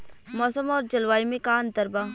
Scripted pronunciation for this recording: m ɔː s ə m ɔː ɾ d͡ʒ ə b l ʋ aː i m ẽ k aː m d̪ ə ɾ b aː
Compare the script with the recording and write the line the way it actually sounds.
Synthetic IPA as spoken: m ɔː s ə m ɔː ɾ d͡ʒ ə l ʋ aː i m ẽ k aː n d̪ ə ɾ b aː